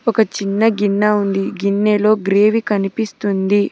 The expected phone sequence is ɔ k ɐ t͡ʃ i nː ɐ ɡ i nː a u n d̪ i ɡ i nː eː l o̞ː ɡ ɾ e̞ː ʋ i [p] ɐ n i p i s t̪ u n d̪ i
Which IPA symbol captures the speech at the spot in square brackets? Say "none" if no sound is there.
k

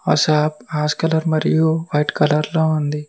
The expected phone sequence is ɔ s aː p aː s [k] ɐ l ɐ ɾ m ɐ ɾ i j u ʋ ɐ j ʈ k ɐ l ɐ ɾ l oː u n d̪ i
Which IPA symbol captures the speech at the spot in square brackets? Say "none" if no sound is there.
k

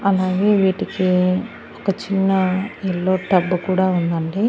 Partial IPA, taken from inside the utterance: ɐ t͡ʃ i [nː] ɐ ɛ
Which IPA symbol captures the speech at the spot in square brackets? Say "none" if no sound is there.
nː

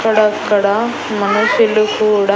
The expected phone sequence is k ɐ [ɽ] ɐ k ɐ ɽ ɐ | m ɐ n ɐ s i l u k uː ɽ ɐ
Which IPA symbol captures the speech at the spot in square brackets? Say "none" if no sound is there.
ɽ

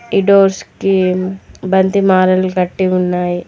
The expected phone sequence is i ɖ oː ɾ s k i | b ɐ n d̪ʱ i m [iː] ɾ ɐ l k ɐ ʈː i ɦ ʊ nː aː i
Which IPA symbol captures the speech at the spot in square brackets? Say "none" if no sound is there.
aː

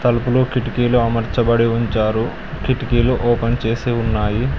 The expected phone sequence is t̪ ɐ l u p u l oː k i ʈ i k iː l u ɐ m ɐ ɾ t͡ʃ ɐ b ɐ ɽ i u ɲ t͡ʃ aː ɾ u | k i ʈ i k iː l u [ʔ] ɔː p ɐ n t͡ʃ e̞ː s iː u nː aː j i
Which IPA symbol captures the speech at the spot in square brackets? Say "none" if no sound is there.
ʔ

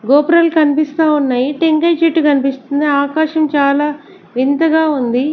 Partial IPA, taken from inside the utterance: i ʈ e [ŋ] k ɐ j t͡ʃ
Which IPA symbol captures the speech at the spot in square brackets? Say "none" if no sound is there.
ŋ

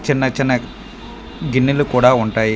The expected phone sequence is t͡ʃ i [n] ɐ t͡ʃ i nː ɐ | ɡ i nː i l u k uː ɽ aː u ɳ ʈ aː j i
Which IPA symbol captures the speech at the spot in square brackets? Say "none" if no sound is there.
nː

